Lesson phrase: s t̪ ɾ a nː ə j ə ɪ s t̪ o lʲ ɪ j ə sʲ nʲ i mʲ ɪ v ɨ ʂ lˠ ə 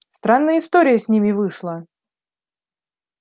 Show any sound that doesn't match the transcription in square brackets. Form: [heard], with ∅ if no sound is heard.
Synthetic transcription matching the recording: s t̪ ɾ a nː ə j ə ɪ s t̪ o [ɾʲ] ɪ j ə sʲ nʲ i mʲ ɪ v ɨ ʂ lˠ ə